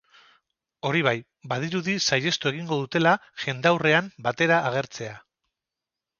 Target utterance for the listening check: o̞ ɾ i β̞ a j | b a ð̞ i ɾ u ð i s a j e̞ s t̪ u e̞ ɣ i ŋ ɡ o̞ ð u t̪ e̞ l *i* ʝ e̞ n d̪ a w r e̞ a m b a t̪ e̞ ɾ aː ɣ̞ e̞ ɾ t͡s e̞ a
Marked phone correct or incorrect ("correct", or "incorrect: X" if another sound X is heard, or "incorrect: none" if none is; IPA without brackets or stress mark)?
incorrect: a